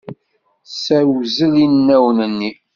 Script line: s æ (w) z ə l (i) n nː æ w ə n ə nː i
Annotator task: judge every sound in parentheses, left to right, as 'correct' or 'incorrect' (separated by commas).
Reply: correct, correct